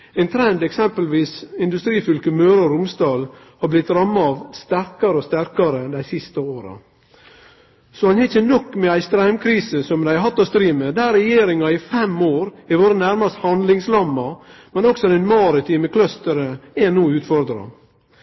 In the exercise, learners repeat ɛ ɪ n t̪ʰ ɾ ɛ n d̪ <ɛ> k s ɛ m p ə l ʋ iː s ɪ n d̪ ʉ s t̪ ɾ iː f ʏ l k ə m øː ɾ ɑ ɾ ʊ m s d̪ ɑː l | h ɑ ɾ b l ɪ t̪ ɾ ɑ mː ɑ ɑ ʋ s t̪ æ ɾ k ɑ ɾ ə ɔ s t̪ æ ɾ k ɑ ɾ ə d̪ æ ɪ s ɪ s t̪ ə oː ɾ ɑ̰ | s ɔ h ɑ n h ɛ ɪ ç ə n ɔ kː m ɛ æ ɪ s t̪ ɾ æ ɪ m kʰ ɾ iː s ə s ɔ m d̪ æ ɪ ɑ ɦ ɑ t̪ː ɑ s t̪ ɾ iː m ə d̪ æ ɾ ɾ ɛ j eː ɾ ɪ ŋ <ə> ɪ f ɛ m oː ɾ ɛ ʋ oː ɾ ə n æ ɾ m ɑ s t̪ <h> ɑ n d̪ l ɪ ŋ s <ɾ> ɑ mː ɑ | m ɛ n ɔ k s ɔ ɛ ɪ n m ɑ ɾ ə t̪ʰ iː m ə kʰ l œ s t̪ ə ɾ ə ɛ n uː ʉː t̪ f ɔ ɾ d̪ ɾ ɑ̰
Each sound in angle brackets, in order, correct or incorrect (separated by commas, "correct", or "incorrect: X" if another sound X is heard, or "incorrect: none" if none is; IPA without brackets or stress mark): correct, incorrect: ɑ, correct, incorrect: l